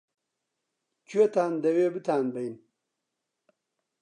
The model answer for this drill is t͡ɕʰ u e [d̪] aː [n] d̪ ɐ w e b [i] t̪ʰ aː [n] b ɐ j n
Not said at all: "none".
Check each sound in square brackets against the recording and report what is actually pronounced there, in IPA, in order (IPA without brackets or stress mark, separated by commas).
t̪, n, i, n